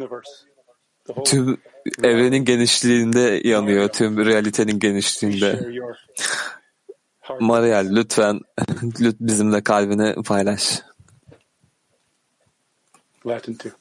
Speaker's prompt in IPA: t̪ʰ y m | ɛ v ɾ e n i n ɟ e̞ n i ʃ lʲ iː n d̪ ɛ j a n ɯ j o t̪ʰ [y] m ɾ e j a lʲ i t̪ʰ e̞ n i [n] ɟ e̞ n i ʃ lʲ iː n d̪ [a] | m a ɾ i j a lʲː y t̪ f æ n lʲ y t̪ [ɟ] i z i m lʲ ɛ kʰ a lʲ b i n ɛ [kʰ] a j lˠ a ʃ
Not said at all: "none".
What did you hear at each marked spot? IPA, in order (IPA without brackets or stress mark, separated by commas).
y, n, ɛ, b, pʰ